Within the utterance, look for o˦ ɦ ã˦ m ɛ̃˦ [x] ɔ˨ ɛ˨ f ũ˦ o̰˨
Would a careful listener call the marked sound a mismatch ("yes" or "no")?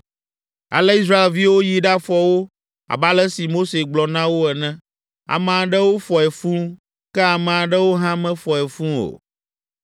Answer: yes